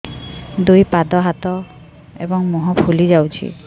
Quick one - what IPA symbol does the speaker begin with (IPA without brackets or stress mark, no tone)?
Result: d̪